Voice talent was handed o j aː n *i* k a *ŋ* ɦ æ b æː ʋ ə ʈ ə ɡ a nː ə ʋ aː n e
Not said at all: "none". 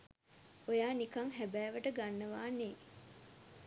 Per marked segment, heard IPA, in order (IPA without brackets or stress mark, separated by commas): i, ŋ